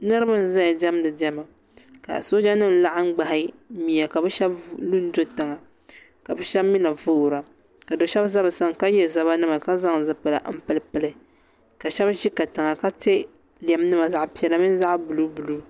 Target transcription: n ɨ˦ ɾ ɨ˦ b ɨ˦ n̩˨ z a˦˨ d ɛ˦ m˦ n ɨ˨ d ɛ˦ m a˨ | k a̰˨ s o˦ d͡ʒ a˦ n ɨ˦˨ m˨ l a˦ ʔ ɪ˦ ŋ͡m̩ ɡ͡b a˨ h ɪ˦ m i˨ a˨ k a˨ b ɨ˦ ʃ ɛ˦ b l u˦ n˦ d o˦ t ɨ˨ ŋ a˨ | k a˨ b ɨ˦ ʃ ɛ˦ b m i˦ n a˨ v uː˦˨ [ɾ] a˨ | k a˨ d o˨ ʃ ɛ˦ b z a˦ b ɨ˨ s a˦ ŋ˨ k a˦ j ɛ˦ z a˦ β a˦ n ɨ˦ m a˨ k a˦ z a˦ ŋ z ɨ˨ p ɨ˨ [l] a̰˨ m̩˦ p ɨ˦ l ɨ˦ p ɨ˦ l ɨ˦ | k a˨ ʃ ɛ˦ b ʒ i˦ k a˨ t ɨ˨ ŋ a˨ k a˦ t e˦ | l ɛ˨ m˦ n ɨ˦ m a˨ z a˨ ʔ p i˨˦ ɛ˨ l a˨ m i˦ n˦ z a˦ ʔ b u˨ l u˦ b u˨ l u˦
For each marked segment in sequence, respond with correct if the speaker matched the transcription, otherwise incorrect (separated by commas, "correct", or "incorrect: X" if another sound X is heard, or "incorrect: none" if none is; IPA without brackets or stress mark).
correct, correct